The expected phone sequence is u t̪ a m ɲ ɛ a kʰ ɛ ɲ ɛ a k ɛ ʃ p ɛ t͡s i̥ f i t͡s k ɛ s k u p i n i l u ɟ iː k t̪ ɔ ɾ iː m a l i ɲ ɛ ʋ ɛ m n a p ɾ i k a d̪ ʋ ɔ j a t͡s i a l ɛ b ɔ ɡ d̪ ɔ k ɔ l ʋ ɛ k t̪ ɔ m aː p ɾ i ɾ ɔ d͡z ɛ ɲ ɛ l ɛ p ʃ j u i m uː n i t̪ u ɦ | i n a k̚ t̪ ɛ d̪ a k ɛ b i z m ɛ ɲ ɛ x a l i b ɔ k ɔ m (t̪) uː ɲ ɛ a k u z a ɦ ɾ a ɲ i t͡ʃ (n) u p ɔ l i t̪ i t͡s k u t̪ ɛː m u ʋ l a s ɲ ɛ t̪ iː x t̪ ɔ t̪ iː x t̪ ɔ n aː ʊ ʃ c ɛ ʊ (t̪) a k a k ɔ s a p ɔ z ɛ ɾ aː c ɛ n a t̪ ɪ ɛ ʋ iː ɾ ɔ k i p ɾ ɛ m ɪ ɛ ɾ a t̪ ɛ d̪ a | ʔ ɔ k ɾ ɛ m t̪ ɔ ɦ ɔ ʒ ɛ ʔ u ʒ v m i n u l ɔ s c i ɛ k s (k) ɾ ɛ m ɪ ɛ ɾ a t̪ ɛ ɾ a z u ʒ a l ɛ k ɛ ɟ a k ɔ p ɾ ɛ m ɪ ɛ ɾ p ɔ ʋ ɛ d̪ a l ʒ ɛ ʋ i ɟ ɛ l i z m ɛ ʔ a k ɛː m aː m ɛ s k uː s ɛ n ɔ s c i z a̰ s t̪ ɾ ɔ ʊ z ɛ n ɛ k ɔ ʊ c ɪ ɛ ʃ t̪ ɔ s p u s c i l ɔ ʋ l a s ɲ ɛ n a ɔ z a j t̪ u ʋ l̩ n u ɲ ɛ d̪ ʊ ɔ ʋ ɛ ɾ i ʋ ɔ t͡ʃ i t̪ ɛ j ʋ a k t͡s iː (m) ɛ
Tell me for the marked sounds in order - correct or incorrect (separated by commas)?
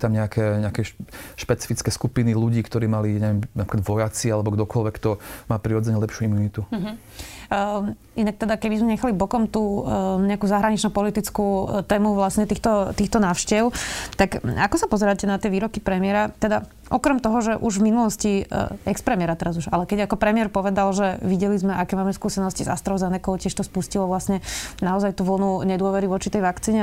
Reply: correct, correct, correct, incorrect, incorrect